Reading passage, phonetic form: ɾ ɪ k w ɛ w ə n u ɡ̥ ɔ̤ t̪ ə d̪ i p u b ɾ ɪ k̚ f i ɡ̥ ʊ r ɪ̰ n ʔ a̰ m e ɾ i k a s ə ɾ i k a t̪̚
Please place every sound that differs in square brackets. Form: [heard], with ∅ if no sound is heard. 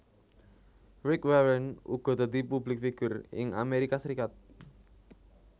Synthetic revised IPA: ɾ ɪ k w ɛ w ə n u ɡ̥ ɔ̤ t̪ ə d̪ i p u b [l] ɪ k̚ f i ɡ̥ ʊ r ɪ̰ [ŋ] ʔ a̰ m e ɾ i k a s ə ɾ i k a t̪̚